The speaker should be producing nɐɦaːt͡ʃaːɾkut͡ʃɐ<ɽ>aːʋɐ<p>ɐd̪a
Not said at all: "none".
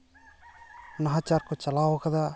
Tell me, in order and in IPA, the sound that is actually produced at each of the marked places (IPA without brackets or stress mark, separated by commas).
l, k